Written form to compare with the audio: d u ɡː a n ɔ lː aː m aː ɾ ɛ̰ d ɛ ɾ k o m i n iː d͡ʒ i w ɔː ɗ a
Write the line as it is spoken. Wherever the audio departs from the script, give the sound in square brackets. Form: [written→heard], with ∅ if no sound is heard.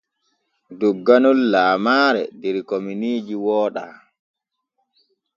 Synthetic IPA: d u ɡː a n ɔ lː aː m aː ɾ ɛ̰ d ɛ ɾ k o m i n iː d͡ʒ i w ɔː ɗ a